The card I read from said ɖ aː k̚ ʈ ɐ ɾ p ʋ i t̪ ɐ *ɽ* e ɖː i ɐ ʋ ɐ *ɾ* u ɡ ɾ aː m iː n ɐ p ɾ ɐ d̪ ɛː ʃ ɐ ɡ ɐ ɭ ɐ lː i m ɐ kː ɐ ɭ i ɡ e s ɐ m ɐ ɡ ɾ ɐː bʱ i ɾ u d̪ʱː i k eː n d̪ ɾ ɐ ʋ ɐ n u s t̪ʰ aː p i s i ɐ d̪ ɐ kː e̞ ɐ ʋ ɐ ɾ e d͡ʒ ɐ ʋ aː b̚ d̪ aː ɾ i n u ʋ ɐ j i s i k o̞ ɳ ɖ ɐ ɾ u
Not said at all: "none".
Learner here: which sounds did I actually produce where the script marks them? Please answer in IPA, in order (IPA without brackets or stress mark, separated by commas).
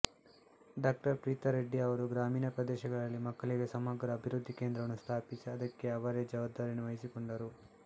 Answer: ɾ, ɾ